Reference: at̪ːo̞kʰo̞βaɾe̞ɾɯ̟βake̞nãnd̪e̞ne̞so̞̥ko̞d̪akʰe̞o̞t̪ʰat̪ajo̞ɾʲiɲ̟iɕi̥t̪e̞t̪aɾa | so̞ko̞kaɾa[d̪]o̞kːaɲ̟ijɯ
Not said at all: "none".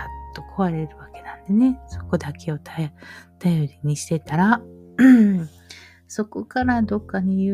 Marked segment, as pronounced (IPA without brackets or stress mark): d̪